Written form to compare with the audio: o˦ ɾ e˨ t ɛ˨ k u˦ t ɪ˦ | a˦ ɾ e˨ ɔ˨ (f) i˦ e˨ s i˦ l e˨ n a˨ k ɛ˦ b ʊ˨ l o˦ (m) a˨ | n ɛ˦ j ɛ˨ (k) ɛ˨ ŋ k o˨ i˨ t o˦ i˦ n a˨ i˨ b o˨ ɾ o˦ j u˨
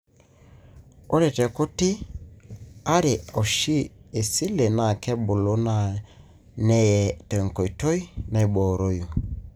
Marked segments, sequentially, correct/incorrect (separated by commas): incorrect, incorrect, incorrect